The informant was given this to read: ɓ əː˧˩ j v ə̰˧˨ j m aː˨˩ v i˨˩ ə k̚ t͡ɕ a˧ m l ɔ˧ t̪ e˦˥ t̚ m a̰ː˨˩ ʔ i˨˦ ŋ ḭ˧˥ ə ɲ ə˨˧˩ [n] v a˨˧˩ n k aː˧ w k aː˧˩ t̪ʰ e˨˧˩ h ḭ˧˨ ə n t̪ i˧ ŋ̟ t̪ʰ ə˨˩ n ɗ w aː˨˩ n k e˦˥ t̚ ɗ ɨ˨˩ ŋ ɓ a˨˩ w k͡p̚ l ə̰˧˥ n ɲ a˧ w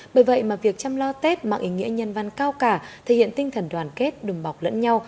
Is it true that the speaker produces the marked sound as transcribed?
yes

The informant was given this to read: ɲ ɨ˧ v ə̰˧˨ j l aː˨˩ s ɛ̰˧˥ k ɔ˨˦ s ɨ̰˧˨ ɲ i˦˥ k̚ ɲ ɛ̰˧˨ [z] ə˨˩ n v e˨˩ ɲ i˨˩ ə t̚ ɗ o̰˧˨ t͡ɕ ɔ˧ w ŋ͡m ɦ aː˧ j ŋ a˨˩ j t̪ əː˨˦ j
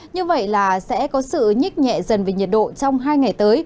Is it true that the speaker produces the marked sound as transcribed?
yes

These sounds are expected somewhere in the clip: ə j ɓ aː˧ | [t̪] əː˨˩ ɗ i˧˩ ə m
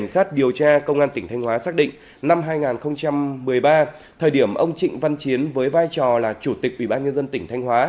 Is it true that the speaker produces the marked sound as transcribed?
no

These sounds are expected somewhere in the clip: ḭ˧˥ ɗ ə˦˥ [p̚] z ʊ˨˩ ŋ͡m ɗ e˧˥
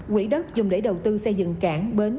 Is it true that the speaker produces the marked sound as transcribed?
no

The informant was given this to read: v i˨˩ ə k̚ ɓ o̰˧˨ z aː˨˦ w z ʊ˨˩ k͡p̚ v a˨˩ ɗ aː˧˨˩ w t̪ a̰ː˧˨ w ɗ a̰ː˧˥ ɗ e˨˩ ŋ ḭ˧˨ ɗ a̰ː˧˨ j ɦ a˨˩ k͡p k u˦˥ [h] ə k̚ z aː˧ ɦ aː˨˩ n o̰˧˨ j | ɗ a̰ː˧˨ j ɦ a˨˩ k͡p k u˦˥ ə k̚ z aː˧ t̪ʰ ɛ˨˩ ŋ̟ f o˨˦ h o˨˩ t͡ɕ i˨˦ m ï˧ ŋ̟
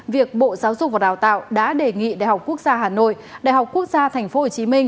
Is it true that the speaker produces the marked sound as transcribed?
no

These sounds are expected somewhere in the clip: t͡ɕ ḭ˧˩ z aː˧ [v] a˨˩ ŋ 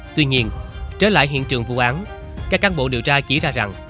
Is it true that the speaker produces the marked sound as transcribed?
no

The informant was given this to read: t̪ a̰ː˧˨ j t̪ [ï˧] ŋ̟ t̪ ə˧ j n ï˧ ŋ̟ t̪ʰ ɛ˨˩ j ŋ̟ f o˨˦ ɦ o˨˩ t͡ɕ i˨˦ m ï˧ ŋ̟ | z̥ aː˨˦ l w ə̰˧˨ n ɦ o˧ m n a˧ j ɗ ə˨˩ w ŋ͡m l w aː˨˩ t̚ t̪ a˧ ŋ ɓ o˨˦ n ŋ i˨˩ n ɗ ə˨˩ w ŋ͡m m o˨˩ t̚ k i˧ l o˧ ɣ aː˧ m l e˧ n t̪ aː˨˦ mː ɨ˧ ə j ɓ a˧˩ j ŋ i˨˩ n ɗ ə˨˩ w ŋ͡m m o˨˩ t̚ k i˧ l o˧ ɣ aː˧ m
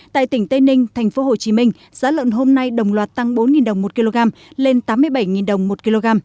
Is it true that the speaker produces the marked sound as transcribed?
no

